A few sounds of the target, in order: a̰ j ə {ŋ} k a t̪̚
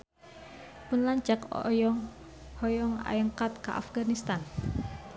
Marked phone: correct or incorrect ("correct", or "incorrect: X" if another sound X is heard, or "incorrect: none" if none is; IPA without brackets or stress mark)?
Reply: correct